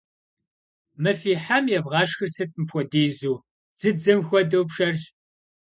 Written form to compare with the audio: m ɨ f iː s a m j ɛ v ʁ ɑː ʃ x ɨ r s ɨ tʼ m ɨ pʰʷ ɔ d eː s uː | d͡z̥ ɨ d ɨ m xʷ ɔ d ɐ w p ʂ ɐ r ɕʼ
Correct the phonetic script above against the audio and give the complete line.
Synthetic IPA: m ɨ f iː ħ a m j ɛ v ʁ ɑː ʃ x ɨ r s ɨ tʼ m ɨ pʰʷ ɔ d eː z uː | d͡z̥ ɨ d͡z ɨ m xʷ ɔ d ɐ w p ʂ ɐ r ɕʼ